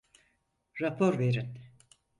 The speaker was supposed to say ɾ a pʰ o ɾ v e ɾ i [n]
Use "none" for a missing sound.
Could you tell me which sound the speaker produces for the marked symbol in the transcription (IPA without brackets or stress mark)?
n